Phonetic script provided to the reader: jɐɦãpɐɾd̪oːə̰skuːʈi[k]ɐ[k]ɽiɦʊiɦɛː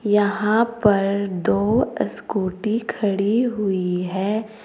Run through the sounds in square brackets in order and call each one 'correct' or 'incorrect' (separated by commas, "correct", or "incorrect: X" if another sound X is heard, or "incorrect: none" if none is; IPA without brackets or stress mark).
incorrect: kʰ, incorrect: none